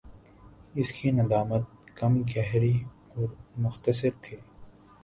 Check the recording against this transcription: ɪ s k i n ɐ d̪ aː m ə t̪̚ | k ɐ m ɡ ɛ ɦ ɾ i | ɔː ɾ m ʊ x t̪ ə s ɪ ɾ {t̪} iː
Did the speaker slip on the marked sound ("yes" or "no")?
yes